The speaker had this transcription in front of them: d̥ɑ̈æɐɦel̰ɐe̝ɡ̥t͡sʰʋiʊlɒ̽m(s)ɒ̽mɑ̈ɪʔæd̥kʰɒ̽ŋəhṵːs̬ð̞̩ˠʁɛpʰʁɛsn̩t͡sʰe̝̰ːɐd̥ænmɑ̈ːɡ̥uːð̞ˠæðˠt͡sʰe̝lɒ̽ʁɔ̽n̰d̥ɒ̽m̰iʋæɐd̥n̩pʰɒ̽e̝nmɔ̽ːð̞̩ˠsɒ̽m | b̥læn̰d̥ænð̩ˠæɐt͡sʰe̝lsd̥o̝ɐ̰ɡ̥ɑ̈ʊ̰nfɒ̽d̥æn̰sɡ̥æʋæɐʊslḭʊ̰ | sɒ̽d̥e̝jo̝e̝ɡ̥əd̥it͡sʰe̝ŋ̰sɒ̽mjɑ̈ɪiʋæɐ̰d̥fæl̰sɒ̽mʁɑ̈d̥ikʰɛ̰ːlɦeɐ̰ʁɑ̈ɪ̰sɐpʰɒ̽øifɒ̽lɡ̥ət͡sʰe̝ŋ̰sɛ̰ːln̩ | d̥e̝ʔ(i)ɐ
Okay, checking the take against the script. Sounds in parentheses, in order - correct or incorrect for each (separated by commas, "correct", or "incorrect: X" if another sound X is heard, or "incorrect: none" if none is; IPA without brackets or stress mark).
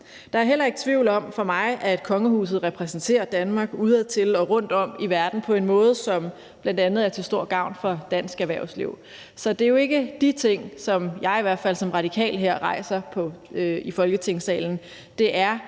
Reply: incorrect: f, incorrect: æ